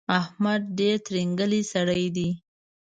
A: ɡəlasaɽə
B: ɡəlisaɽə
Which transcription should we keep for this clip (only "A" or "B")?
B